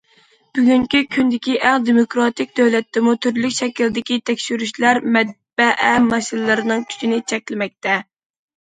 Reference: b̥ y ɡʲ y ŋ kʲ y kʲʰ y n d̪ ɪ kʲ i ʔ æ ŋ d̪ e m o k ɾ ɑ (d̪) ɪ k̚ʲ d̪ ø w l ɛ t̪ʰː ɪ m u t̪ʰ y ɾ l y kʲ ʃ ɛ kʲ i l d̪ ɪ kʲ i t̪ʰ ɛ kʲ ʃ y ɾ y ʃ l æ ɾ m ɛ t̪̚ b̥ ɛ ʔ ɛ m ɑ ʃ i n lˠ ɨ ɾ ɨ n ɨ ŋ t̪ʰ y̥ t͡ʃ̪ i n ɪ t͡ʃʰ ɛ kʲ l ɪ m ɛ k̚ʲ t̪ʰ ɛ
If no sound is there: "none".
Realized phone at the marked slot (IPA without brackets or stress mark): t̪